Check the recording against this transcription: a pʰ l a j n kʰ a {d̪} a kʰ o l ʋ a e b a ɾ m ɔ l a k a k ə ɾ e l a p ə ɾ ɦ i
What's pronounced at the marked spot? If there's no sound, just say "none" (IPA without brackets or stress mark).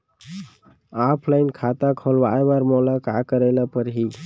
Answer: t̪